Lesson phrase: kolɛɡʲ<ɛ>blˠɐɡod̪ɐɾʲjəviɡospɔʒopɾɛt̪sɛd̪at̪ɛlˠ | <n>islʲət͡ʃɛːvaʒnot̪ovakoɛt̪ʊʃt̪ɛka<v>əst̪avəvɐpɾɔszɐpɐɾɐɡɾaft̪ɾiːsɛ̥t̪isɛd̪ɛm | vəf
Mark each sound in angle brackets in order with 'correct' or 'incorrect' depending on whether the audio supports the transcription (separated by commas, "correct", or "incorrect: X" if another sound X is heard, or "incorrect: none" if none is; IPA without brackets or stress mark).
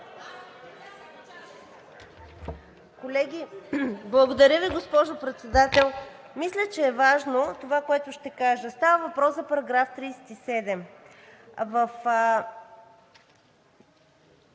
incorrect: i, incorrect: m, incorrect: ʒ